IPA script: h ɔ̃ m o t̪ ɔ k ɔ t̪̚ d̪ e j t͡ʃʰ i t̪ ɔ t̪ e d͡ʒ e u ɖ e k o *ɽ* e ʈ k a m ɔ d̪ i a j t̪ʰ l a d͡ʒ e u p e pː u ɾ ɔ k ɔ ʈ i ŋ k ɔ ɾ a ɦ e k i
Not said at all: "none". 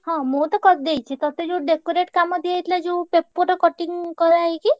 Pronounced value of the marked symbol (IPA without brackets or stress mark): ɾ